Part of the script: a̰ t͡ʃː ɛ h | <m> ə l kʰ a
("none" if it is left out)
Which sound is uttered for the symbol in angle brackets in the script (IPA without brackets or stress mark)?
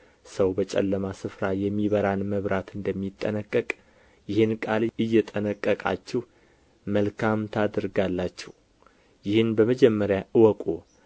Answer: m